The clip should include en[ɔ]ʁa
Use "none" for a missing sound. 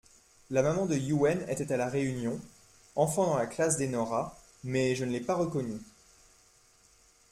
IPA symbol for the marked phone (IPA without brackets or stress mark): ɔ